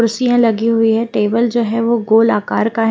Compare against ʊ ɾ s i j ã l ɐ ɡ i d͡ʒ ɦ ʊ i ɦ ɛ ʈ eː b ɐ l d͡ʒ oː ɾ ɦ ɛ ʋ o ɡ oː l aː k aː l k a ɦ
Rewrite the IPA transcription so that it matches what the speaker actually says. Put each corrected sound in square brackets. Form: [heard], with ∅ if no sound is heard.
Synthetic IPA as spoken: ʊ ɾ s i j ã l ɐ ɡ i [∅] ɦ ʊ i ɦ ɛ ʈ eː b [ə] l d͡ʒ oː [∅] ɦ ɛ ʋ o ɡ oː l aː k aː [ɾ] k a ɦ